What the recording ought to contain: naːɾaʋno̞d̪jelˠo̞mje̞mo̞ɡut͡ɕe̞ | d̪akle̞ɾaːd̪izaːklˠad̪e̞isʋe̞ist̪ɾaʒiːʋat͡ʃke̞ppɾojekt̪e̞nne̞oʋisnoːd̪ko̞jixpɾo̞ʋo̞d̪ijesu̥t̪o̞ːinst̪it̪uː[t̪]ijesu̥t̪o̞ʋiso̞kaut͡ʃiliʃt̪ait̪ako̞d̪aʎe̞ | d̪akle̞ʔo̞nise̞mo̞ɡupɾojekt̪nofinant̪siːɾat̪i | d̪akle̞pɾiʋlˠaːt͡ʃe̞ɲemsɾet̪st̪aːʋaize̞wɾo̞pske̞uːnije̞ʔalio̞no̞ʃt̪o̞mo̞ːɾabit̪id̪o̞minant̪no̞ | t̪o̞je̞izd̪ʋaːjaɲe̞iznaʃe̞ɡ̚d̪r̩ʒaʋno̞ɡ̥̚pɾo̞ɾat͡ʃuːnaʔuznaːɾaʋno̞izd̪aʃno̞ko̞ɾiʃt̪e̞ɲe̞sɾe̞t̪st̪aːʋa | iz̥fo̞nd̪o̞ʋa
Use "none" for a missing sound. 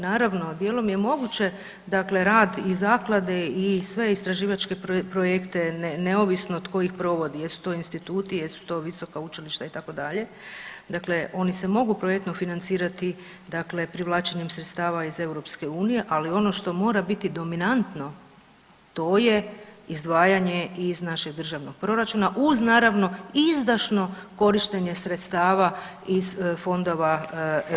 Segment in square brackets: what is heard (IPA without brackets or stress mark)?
t̪